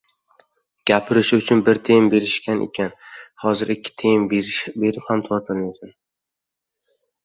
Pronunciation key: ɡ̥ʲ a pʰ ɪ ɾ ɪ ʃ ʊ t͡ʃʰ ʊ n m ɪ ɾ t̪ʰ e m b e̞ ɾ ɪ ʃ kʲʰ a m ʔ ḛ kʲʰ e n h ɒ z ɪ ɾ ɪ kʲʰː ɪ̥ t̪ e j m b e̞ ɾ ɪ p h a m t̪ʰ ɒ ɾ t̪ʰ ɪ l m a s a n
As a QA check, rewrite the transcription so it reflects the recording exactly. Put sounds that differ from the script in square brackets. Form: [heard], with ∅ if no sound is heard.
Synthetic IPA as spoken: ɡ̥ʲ a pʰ ɪ ɾ ɪ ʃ ʊ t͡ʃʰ ʊ n [b] ɪ ɾ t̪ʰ e m b e̞ ɾ ɪ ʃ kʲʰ a [n] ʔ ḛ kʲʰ [a] n h ɒ z ɪ ɾ ɪ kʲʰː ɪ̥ [t̪ʰ] e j m b e̞ ɾ ɪ p h a m t̪ʰ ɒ ɾ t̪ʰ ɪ l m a s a n